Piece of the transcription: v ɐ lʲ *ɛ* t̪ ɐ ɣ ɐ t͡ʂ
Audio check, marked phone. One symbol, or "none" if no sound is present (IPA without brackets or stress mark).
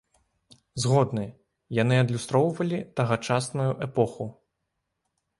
i